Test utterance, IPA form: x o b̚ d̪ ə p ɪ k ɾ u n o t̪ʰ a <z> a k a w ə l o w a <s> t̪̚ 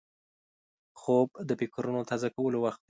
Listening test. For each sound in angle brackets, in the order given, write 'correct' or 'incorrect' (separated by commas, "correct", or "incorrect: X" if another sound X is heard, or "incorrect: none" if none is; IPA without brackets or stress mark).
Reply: correct, incorrect: x